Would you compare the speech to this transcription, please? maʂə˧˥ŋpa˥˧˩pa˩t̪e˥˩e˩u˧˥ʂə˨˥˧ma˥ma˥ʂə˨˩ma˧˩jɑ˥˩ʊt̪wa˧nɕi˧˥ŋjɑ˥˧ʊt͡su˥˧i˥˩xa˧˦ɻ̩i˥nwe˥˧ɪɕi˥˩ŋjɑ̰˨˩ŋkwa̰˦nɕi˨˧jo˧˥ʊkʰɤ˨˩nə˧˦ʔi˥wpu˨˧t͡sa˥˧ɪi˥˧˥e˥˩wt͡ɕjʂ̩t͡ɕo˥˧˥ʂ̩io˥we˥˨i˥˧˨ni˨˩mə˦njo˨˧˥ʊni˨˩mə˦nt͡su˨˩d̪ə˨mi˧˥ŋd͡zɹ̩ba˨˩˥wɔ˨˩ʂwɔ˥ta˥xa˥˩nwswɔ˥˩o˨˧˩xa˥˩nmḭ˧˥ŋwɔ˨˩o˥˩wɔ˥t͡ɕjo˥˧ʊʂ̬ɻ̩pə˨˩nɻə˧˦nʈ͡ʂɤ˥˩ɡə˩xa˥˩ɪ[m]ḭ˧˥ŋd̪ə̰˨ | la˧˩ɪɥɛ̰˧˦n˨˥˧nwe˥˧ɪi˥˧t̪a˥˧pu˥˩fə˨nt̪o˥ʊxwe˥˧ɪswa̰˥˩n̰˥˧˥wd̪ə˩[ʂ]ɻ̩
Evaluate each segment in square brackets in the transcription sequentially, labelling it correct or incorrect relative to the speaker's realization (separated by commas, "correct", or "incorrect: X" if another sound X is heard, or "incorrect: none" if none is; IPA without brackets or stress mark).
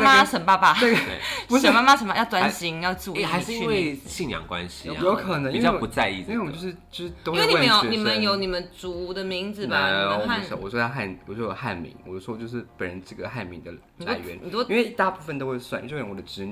correct, incorrect: ʈ͡ʂ